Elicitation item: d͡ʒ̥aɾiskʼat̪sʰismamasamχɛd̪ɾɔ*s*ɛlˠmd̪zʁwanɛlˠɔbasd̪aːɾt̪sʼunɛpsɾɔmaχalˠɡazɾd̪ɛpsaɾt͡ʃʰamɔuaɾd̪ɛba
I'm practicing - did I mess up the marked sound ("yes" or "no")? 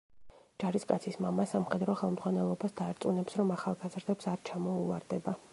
yes